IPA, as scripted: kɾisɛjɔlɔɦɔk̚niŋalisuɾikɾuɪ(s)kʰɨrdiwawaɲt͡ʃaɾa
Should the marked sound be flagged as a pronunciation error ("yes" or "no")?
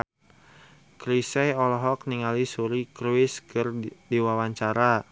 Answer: no